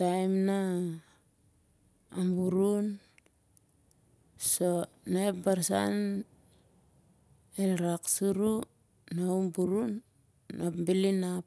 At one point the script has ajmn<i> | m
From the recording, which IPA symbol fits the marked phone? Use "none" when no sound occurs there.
a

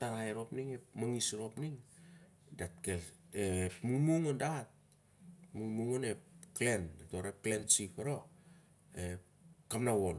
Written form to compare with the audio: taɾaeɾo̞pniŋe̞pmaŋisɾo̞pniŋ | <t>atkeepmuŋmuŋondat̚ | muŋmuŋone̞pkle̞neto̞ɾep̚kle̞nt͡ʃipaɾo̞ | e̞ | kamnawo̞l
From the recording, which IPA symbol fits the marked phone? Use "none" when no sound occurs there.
d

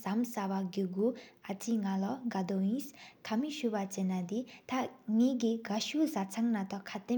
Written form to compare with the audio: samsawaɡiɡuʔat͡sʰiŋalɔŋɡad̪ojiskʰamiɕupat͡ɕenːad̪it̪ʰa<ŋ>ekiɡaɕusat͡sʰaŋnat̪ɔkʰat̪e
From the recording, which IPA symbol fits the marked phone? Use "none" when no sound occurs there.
ŋ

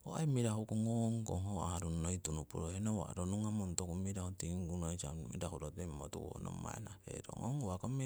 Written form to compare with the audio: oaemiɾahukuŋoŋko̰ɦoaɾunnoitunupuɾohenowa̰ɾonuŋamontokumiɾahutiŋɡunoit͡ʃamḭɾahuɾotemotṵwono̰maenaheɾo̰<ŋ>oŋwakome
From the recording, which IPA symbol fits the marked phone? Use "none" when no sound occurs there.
ŋ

